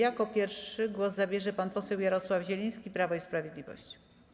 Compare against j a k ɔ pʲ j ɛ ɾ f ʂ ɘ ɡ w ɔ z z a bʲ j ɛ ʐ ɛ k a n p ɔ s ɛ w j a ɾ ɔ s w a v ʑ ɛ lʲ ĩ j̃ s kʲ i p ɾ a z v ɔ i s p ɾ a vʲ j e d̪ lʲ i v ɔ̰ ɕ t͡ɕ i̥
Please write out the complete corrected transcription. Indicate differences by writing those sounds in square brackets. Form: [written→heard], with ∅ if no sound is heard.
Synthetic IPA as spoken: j a k ɔ pʲ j ɛ ɾ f ʂ ɘ ɡ w ɔ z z a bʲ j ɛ ʐ ɛ [k→p] a n p ɔ s ɛ w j a ɾ ɔ s w a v ʑ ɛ lʲ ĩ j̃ s kʲ i p ɾ a [z→∅] v ɔ i s p ɾ a vʲ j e d̪ lʲ i v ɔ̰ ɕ t͡ɕ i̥